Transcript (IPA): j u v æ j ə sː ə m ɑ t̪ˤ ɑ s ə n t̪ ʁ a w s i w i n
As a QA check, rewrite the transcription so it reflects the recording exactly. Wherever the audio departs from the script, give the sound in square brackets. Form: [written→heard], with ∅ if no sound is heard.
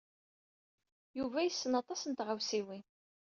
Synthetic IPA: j u v æ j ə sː ə [m→n] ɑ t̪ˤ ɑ s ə n t̪ ʁ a w s i w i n